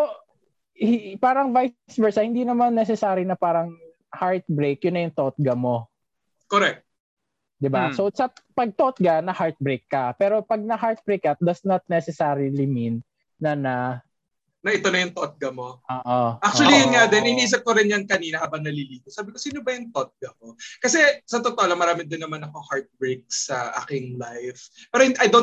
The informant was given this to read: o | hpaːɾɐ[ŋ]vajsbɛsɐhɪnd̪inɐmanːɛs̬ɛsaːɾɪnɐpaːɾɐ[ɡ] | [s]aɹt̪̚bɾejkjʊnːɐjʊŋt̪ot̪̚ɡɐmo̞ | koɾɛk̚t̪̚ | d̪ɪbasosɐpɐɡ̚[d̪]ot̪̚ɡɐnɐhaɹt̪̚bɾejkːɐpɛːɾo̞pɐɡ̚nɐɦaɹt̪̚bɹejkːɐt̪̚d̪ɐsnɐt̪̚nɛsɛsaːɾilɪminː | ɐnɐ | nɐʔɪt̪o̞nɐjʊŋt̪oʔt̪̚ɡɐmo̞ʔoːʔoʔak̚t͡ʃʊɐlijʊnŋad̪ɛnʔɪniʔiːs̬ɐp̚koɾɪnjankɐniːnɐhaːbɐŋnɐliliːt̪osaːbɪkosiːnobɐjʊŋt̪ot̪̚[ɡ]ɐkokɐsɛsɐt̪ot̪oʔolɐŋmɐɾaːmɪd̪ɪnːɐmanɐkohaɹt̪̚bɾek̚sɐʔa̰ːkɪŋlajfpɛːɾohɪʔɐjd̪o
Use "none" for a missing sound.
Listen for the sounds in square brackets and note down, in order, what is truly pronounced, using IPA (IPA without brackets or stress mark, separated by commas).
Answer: ŋ, ŋ, h, t̪, ɡ